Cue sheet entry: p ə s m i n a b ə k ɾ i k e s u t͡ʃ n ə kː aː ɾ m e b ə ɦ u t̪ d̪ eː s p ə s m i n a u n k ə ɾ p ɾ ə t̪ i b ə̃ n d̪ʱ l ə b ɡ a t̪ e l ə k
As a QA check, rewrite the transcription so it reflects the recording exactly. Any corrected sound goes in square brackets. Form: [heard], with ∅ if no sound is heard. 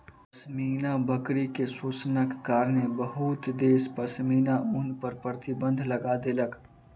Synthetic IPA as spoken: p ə s m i n a b ə k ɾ i k e s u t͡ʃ n ə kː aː ɾ [n] e b ə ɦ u t̪ d̪ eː s p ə s m i n a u n [p] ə ɾ p ɾ ə t̪ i b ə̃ n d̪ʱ l ə [∅] ɡ a [d̪] e l ə k